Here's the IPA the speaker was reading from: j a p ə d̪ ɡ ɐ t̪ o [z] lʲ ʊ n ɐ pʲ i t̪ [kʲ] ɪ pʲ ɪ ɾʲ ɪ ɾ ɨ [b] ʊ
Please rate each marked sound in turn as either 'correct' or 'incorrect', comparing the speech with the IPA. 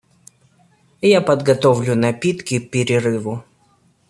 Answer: incorrect, correct, incorrect

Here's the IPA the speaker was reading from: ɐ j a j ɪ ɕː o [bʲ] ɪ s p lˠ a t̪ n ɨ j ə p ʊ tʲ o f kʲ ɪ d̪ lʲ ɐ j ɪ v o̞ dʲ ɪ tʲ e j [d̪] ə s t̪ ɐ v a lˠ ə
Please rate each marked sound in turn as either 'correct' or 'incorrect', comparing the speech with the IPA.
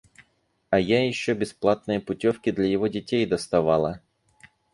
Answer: correct, correct

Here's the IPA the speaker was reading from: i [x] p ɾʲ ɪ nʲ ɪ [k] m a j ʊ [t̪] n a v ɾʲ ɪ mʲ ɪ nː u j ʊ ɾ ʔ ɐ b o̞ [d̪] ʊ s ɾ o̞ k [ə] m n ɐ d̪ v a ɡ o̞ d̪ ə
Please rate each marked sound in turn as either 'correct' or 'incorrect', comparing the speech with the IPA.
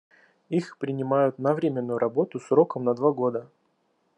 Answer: correct, incorrect, correct, incorrect, correct

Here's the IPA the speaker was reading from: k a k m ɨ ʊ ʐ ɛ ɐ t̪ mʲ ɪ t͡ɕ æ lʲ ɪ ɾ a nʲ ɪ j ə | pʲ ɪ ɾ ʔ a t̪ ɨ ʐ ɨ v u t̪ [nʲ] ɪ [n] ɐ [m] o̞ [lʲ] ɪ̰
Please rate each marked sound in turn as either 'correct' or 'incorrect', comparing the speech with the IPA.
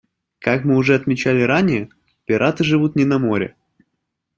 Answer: correct, correct, correct, incorrect

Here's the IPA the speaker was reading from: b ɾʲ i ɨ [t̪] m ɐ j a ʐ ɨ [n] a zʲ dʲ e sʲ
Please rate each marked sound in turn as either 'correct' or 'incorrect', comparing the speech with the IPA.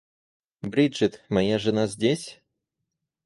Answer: correct, correct

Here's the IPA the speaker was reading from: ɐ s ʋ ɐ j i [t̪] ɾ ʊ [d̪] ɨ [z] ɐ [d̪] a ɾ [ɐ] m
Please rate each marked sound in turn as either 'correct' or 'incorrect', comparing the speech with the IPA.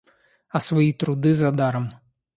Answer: correct, correct, correct, correct, correct

